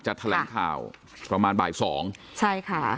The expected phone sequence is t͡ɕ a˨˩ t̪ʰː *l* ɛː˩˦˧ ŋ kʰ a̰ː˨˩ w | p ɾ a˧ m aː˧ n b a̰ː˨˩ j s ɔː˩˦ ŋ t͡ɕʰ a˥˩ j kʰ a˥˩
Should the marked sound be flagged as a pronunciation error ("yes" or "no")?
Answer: no